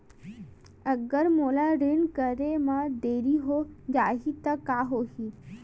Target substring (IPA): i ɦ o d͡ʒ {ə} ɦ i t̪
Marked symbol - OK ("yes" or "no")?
no